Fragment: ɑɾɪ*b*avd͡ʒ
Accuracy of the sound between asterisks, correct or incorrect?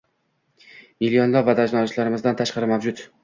incorrect